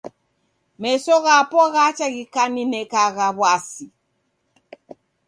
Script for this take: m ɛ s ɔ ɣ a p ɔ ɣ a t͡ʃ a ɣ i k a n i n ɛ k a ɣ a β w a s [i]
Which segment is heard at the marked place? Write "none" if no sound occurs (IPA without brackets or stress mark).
i